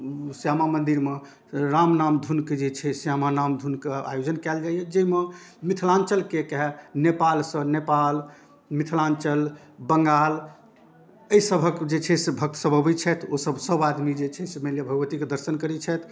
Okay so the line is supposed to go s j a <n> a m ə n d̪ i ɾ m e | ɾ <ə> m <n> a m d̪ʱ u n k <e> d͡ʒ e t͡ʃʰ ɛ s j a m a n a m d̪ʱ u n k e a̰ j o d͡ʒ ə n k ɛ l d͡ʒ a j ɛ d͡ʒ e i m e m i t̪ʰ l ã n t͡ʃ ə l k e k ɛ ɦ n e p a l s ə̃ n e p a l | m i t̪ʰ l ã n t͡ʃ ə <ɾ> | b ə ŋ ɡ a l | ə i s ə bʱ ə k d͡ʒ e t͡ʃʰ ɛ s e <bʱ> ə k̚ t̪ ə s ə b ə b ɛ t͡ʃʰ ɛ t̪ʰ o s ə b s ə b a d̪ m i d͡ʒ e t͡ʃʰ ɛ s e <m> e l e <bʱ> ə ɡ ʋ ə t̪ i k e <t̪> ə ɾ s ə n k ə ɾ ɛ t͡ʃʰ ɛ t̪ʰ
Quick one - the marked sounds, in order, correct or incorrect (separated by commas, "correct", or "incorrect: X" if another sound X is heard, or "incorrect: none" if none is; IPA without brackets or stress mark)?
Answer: incorrect: m, incorrect: a, correct, correct, incorrect: l, correct, correct, correct, incorrect: d̪